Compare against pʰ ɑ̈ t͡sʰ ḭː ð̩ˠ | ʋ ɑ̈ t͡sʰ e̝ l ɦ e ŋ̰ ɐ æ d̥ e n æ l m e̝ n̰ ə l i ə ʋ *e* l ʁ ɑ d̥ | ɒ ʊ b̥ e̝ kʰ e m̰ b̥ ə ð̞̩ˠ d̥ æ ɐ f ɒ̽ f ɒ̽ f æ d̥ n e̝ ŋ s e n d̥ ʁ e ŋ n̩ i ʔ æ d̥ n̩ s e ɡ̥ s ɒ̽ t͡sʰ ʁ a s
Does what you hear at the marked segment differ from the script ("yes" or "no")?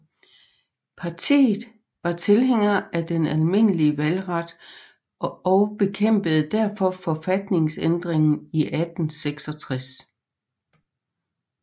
yes